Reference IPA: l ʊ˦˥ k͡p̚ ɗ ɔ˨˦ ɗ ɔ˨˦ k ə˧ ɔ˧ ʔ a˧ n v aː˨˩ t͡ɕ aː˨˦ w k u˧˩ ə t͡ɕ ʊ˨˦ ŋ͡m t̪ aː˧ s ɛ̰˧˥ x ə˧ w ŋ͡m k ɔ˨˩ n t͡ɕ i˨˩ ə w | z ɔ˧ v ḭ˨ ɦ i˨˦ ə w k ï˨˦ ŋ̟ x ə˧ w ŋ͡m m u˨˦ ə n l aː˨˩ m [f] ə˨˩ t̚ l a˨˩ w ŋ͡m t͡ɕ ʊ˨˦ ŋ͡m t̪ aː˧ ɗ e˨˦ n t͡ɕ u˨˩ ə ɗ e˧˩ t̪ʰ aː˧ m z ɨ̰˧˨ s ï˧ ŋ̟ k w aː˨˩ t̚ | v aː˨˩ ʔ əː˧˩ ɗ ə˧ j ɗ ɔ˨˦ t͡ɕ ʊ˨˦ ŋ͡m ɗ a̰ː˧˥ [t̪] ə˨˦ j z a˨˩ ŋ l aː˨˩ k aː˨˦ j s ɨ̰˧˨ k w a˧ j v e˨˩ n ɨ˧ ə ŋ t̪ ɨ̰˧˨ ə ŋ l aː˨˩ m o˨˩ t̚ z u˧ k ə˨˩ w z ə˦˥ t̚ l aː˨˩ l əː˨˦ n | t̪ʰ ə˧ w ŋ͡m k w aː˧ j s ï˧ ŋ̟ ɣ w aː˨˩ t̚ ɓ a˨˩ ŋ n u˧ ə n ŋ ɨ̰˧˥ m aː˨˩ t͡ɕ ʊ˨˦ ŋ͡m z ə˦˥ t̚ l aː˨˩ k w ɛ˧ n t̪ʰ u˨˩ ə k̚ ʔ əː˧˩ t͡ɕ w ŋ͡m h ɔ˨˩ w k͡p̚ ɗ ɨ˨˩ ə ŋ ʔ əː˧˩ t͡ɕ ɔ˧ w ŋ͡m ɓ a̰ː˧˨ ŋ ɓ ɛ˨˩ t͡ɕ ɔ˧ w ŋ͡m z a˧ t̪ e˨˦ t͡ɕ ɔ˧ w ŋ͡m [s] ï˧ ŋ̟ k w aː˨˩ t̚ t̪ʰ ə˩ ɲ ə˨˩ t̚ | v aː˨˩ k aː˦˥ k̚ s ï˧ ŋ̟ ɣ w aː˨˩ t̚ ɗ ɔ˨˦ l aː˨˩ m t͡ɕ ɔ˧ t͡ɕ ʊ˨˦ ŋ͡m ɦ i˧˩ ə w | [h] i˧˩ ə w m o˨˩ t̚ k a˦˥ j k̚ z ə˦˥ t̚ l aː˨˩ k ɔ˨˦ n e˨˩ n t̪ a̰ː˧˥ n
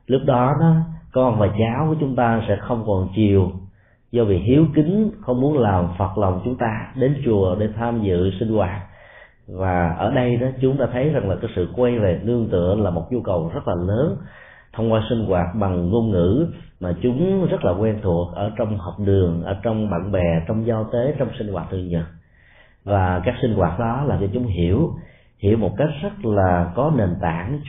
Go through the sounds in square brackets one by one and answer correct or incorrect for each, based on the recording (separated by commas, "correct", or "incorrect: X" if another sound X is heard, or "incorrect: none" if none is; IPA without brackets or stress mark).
correct, incorrect: t̪ʰ, correct, correct